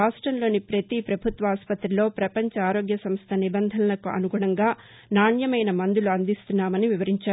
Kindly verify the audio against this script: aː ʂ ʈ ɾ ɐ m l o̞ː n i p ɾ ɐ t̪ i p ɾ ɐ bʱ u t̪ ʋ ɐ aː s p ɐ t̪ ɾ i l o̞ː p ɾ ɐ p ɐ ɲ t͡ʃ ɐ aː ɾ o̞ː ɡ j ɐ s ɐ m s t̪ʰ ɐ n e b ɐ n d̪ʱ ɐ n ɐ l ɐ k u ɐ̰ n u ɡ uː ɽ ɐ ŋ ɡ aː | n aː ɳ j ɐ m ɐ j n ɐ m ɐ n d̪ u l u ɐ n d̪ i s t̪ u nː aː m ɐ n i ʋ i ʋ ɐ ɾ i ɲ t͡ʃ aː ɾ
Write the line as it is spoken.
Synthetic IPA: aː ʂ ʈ ɾ ɐ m l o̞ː n i p ɾ ɐ t̪ i p ɾ ɐ bʱ u t̪ ʋ ɐ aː s p ɐ t̪ ɾ i l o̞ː p ɾ ɐ p ɐ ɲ t͡ʃ ɐ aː ɾ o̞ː ɡ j ɐ s ɐ m s t̪ʰ ɐ n i b ɐ n d̪ʱ ɐ n ɐ l ɐ k u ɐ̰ n u ɡ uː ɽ ɐ ŋ ɡ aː | n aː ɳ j ɐ m ɐ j n ɐ m ɐ n d̪ u l u ɐ n d̪ i s t̪ u nː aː m ɐ n i ʋ i ʋ ɐ ɾ i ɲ t͡ʃ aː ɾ